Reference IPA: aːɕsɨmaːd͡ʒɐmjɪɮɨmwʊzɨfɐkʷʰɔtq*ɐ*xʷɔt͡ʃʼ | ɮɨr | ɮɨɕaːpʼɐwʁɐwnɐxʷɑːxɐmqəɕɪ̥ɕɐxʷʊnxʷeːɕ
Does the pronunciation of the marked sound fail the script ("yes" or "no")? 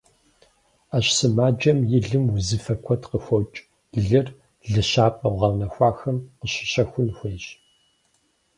yes